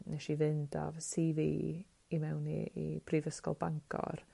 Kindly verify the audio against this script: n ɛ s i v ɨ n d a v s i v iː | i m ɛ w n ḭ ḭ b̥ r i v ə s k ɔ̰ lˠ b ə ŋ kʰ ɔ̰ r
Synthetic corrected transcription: n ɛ ʃ i v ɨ n d a v s i v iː | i m ɛ w n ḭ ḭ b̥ r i v ə s k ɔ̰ lˠ b a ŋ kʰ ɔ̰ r

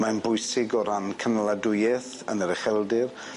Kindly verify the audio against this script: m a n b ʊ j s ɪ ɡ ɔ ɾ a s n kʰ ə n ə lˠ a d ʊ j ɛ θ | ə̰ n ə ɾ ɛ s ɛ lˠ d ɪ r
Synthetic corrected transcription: m a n b ʊ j s ɪ ɡ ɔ ɾ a n kʰ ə n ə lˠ a d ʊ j ɛ θ | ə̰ n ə ɾ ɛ χ ɛ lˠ d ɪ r

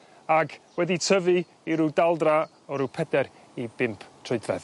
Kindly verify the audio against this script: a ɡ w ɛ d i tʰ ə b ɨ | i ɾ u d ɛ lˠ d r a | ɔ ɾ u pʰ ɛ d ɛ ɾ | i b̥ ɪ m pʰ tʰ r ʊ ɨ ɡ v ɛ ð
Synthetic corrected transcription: a ɡ w ɛ d i tʰ ə v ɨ | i ɾ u d a lˠ d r a | ɔ ɾ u pʰ ɛ d ɛ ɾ | i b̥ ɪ m pʰ tʰ r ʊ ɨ d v ɛ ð

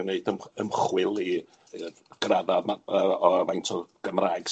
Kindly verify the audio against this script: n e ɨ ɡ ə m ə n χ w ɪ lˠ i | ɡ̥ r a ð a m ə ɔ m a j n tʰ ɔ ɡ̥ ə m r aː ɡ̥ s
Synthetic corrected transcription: n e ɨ d ə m ə m χ w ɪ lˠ i | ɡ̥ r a ð a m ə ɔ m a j n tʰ ɔ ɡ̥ ə m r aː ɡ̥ s

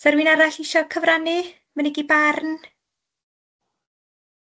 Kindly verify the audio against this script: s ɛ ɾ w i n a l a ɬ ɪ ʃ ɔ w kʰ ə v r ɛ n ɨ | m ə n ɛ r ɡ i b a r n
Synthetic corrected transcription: s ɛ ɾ w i n a ɾ a ɬ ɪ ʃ ɔ kʰ ə v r a n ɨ | m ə n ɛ ɡ i b a r n

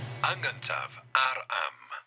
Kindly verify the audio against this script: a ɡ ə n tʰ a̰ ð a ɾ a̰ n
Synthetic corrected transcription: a ŋ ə n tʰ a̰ v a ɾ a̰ m

